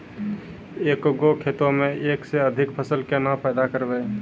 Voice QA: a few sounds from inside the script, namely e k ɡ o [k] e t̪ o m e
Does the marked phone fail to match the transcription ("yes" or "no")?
yes